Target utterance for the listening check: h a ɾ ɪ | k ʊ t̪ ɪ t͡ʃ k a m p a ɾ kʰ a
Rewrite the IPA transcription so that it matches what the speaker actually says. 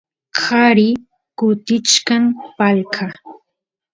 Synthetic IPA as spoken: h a ɾ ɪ | k ʊ t̪ ɪ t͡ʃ k a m p a l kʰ a